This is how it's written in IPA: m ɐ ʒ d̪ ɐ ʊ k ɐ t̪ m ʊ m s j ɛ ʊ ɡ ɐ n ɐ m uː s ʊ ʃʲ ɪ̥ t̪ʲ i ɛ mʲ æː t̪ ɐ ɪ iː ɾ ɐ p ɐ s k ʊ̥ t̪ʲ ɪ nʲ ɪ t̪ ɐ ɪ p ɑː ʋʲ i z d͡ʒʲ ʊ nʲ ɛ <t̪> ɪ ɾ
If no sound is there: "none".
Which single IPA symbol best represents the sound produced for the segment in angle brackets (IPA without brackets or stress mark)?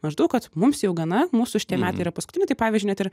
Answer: t̪